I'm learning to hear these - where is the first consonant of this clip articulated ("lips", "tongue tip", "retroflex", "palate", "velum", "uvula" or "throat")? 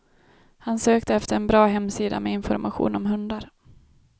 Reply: throat